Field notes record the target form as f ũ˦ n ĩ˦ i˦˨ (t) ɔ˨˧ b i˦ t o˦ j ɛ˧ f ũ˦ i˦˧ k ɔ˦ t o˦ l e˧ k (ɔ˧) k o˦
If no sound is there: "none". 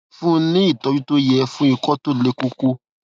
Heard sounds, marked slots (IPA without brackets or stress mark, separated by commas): t, o˧